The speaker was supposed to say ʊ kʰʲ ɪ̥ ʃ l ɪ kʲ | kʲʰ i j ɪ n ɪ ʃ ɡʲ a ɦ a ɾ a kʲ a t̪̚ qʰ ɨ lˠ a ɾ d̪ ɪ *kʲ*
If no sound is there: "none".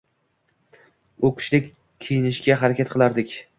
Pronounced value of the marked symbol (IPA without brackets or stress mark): kʲ